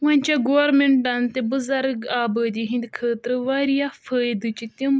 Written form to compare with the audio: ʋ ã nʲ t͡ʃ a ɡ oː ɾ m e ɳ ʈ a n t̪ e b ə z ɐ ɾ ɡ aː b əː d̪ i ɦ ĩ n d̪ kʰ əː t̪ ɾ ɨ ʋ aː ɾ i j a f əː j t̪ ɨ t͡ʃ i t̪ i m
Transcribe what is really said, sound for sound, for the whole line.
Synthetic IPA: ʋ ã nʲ t͡ʃ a ɡ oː ɾ m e ɳ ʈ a n t̪ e b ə z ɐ ɾ ɡ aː b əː d̪ i ɦ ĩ n d̪ kʰ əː t̪ ɾ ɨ ʋ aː ɾ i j a f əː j d̪ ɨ t͡ʃ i t̪ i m